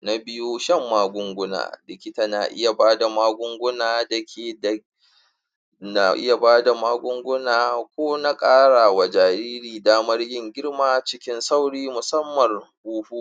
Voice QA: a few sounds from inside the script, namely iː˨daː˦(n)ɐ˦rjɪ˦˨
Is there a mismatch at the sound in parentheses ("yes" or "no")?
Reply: yes